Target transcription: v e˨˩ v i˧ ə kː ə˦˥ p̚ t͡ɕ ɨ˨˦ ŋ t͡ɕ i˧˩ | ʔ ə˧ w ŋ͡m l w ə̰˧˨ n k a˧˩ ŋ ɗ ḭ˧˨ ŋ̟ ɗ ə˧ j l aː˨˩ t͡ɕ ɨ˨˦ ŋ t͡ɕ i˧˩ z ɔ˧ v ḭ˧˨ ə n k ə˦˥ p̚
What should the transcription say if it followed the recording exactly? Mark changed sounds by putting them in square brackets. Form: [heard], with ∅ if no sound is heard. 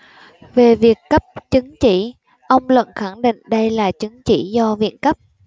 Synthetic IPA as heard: v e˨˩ v [i˨˩] ə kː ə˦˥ p̚ t͡ɕ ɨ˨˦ ŋ t͡ɕ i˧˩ | ʔ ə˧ w ŋ͡m l w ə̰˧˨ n [x] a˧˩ ŋ ɗ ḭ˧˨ ŋ̟ ɗ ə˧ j l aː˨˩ t͡ɕ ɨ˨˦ ŋ t͡ɕ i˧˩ z ɔ˧ v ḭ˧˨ ə n k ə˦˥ p̚